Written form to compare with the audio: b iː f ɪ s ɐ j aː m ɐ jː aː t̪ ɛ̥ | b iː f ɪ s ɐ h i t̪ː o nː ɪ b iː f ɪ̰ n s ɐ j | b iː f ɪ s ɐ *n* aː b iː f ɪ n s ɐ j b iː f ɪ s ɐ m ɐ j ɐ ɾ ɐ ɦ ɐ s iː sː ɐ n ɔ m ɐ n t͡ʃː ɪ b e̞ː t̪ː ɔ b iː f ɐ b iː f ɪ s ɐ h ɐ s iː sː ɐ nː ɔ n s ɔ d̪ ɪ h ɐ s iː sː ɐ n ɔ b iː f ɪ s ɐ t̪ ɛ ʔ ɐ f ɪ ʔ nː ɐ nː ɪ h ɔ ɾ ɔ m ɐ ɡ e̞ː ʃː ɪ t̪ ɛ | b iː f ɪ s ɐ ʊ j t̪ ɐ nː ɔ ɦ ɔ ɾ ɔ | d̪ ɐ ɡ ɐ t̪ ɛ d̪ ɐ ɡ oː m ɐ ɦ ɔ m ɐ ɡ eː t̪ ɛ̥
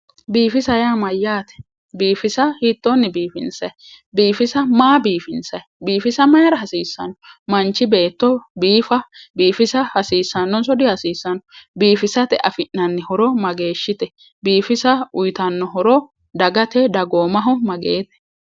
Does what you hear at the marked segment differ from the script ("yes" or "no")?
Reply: yes